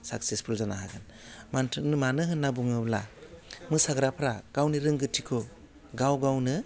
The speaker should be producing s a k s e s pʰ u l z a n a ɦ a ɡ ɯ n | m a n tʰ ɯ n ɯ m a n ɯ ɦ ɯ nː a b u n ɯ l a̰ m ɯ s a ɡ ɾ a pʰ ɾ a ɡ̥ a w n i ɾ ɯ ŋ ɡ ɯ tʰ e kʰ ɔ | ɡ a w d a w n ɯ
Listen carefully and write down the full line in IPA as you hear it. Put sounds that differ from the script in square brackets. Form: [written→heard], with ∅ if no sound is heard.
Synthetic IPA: s a k s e s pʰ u l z a n a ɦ a ɡ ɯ n | m a n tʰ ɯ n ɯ m a n ɯ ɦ ɯ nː a b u [n→ŋ] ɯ l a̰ m ɯ s a ɡ ɾ a pʰ ɾ a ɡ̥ a w n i ɾ ɯ ŋ ɡ ɯ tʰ [e→i] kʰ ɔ | ɡ a w [d→ɡ] a w n ɯ